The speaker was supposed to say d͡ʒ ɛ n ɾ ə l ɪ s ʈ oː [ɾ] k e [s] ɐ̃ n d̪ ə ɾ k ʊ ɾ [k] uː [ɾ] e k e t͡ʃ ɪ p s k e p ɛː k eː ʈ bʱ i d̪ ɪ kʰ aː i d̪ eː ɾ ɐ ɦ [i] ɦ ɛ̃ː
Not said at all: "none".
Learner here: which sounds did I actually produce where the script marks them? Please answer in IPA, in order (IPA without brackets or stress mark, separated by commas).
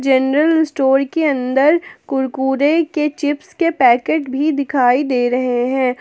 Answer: ɾ, none, k, ɾ, e